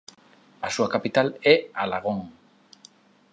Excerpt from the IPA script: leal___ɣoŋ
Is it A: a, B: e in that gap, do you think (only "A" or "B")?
A